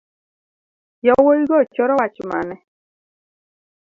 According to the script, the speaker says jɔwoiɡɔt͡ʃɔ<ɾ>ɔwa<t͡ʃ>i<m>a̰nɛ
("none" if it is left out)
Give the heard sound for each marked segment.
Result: ɾ, t͡ʃ, m

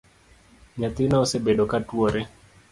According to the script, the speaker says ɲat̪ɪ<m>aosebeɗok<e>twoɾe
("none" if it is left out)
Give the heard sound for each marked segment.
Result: n, a

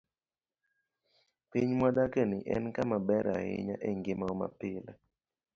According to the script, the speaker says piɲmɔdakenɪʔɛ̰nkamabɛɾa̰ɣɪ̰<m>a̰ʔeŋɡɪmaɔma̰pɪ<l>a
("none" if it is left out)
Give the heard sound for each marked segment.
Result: ɲ, l

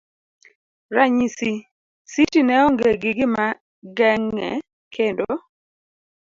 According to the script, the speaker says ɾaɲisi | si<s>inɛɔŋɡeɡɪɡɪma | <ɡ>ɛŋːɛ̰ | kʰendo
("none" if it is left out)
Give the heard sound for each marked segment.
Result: t, ɡ

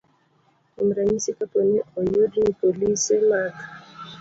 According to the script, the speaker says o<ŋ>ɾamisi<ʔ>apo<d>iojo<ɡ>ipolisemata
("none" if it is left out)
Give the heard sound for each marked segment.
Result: m, k, n, d

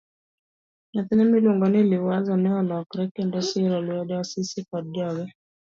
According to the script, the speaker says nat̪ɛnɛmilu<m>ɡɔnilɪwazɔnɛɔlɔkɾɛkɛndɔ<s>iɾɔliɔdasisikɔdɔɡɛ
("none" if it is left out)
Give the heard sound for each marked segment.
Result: ŋ, s

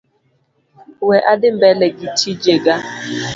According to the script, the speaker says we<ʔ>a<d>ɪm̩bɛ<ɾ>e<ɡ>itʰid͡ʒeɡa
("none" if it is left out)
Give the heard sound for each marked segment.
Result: ʔ, d, l, ɡ

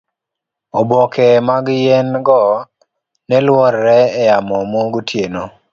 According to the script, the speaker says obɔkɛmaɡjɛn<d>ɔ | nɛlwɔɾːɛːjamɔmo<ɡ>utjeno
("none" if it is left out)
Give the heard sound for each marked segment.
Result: ɡ, ɡ

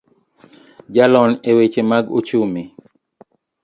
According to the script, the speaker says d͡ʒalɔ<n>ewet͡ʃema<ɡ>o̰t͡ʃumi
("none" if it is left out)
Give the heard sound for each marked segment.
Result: n, ɡ

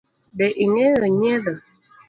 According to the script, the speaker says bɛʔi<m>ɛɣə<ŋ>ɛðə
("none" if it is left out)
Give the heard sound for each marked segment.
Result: ŋ, ɲ

